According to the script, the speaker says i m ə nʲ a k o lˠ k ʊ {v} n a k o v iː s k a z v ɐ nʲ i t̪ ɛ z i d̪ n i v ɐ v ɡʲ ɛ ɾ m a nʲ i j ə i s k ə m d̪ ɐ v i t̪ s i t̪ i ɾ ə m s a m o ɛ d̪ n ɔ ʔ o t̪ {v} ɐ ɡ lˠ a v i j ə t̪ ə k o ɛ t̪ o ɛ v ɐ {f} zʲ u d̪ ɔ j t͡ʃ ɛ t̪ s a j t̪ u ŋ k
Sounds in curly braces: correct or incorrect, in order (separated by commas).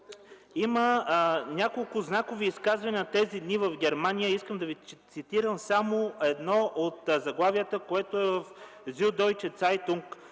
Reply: incorrect, incorrect, correct